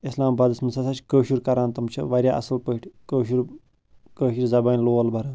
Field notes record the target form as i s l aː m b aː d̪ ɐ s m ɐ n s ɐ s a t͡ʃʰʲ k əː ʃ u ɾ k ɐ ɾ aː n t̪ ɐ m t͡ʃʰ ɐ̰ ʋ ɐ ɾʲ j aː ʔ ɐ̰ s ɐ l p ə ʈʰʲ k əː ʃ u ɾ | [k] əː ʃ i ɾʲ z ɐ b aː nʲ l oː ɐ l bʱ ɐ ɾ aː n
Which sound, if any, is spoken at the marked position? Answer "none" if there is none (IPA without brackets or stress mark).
k